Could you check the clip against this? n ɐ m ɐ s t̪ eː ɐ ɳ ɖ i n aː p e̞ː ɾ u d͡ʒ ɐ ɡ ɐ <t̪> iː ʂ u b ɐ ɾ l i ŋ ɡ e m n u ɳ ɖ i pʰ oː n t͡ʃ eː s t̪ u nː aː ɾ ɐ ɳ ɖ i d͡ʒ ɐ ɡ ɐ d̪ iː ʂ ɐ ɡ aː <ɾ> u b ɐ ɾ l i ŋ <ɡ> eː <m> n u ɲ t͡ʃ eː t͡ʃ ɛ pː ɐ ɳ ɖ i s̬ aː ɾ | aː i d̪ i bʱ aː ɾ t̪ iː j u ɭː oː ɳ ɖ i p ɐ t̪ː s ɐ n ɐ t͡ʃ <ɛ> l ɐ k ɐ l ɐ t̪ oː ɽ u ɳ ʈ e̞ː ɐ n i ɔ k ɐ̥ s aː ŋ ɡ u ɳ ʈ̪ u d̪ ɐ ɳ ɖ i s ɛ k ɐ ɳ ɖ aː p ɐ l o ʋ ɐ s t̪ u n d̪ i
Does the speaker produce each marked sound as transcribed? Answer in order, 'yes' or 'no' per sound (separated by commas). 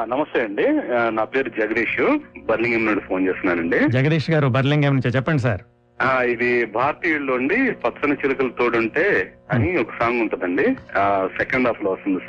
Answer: no, yes, yes, yes, no